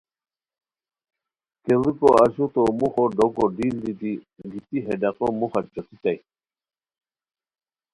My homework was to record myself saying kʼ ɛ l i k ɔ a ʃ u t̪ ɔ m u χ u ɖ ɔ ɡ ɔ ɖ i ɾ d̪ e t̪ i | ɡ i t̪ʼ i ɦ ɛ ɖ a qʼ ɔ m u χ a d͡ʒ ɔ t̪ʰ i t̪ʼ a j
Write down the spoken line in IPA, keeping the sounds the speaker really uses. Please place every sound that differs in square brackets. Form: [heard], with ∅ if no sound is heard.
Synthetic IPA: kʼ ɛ l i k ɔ a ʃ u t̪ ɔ m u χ [ɔ] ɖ ɔ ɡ ɔ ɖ i [l] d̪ [i] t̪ i | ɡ i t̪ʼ i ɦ ɛ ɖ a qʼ ɔ m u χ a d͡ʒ ɔ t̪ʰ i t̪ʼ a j

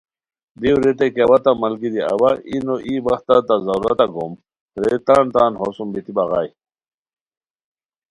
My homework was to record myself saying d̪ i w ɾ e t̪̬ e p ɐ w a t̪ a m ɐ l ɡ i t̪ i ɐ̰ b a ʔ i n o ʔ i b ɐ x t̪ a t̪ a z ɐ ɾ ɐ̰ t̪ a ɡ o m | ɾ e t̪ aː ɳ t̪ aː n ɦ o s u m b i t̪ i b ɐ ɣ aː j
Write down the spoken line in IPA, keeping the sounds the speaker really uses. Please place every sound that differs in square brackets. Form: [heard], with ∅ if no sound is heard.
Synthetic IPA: d̪ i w ɾ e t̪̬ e [k] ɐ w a t̪ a m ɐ l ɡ i [d̪] i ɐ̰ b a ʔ i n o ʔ i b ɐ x t̪ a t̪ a z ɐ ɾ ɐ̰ t̪ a ɡ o m | ɾ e t̪ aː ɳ t̪ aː n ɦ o s u m b i t̪ i b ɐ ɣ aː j

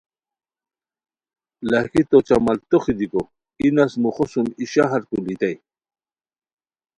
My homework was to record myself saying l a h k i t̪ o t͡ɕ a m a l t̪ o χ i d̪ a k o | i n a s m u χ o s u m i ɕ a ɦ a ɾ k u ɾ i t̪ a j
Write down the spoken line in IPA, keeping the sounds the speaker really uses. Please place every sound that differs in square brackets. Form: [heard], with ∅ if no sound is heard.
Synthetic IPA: l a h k i t̪ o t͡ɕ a m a l t̪ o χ i d̪ [i] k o | i n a s m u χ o s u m i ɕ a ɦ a ɾ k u [l] i t̪ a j

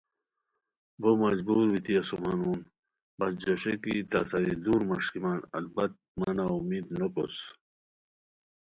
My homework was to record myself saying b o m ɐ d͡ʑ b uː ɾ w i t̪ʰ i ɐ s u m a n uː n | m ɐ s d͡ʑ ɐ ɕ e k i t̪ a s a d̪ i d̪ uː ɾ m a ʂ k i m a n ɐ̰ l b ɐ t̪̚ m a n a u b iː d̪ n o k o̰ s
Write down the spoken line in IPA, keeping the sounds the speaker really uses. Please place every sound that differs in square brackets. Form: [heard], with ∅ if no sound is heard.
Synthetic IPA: b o m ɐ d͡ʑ b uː ɾ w i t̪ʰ i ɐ s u m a n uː n | [b] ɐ s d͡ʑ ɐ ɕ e k i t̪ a s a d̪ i d̪ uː ɾ m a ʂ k i m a n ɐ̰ l b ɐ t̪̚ m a n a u [m] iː d̪ n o k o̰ s

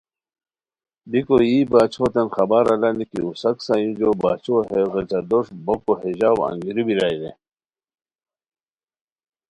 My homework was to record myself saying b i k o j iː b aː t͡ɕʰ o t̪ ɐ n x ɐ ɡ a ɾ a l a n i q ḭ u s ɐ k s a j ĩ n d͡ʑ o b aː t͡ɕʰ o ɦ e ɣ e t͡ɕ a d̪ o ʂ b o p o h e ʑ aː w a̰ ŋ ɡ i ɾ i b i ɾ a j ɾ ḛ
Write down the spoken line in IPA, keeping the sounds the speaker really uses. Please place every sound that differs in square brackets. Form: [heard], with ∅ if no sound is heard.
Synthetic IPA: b i k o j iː b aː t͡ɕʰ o t̪ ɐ n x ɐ [b] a ɾ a l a n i [k] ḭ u s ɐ k s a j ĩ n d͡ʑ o b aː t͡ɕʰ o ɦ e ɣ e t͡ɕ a d̪ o ʂ b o [k] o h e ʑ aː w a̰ ŋ ɡ i ɾ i b i ɾ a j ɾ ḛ

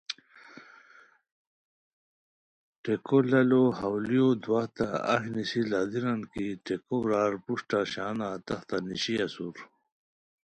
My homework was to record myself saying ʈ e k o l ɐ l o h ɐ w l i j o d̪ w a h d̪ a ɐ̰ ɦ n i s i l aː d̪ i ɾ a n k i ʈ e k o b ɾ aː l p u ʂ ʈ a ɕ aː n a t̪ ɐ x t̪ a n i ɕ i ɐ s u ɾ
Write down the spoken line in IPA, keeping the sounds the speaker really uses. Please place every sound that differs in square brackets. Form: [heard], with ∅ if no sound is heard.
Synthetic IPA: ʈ e k o l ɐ l o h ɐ w l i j o d̪ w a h [t̪] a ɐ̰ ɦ n i s i l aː d̪ i ɾ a n k i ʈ e k o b ɾ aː [ɾ] p u ʂ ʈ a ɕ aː n a t̪ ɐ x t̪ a n i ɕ i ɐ s u ɾ

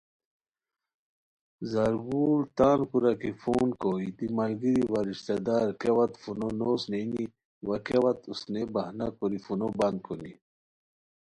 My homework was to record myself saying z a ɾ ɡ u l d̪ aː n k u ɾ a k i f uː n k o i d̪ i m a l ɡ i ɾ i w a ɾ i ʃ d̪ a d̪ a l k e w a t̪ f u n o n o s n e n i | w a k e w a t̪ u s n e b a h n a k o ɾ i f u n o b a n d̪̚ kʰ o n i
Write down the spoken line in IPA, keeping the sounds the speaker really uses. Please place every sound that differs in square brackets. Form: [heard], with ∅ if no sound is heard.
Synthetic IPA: z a ɾ ɡ u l [t̪] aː n k u ɾ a k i f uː n k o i d̪ i m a l ɡ i ɾ i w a ɾ i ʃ [t̪] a d̪ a [ɾ] k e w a t̪ f u n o n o s n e n i | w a k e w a t̪ u s n e b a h n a k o ɾ i f u n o b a n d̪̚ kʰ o n i

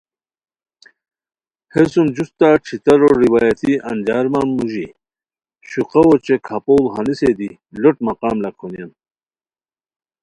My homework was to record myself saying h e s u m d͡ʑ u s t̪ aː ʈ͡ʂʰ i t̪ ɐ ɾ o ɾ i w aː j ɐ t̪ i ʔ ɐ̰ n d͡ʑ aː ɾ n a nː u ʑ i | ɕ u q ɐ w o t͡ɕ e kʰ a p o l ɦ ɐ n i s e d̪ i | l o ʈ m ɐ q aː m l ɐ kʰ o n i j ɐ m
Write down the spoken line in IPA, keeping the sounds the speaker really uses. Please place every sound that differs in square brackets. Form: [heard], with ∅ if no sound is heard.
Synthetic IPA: h e s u m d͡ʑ u s t̪ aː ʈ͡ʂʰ i t̪ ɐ ɾ o ɾ i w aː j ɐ t̪ i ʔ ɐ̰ n d͡ʑ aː ɾ [m] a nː u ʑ i | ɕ u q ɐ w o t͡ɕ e kʰ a p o l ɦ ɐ n i s e d̪ i | l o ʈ m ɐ q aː m l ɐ kʰ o n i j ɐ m

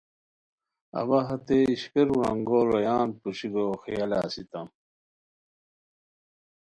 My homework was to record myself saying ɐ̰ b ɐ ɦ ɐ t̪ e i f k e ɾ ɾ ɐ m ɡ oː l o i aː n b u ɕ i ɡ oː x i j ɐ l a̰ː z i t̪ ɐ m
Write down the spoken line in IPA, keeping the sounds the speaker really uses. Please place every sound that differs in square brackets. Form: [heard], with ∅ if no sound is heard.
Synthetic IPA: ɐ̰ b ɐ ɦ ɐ t̪ e i [ɕ] k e ɾ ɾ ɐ [ŋ] ɡ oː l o [j] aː n [p] u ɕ i ɡ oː x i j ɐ l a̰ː [s] i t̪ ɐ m

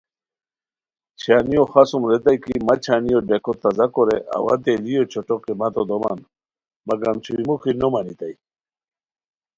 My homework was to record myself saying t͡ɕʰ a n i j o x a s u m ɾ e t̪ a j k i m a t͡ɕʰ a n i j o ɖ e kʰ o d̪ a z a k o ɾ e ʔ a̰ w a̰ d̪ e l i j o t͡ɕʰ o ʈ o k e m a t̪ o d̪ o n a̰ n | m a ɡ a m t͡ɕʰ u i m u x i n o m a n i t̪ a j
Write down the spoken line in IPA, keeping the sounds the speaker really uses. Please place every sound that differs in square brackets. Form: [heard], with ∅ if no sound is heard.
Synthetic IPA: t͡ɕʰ a n i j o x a s u m ɾ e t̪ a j k i m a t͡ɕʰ a n i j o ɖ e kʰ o [t̪] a z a k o ɾ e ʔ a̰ w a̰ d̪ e l i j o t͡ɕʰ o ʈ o k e m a t̪ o d̪ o [m] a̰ n | m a ɡ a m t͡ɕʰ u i m u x i n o m a n i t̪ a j

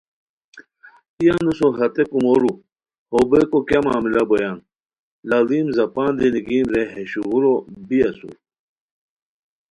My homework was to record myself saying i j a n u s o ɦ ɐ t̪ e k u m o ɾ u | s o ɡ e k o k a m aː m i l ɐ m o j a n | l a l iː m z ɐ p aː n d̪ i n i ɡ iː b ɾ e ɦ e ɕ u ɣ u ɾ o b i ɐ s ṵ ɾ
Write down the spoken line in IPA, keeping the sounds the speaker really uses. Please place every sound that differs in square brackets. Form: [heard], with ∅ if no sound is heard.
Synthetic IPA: i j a n u s o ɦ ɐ t̪ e k u m o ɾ u | [h] o [b] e k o k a m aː m i l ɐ [b] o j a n | l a l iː m z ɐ p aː n d̪ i n i ɡ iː [m] ɾ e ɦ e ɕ u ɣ u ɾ o b i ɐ s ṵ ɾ

